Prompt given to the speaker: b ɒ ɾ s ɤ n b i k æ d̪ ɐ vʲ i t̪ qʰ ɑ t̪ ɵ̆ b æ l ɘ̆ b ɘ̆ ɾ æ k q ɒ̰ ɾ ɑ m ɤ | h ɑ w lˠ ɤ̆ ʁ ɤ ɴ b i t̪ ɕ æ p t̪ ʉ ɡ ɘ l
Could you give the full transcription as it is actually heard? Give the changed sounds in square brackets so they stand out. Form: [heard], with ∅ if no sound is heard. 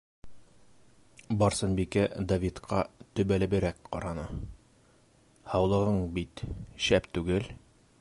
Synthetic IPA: b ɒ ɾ s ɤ n b i k æ d̪ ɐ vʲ i t̪ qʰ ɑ t̪ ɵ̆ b æ l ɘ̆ b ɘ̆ ɾ æ k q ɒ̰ ɾ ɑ [n] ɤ | h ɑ w lˠ ɤ̆ ʁ ɤ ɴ b i t̪ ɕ æ p t̪ ʉ ɡ ɘ l